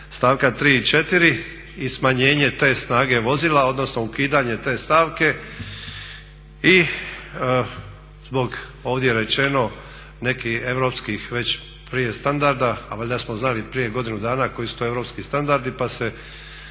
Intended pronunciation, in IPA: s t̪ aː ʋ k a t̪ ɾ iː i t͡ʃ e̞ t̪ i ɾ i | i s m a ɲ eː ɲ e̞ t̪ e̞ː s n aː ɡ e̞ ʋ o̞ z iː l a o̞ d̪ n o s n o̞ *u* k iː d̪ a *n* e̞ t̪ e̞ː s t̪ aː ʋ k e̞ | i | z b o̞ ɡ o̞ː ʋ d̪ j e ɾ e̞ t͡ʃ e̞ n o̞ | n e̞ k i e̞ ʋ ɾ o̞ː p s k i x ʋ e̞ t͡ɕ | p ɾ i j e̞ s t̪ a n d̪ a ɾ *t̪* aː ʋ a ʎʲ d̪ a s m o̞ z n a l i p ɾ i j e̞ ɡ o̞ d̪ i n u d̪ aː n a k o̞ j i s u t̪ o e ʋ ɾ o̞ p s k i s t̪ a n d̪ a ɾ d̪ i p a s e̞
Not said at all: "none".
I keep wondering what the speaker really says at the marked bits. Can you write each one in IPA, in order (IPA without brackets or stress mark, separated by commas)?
u, ɲ, d̪